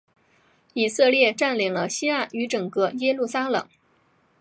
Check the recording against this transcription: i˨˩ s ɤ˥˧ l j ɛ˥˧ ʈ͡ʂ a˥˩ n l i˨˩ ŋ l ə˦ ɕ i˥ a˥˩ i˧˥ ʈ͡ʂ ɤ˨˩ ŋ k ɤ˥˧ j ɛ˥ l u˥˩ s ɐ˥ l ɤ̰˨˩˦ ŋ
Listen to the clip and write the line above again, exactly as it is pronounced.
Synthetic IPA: i˨˩ s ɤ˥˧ l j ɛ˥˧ ʈ͡ʂ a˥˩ n l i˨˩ ŋ l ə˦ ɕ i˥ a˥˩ y˧˥ ʈ͡ʂ ɤ˨˩ ŋ k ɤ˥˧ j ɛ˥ l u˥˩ s a˥ l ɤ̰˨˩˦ ŋ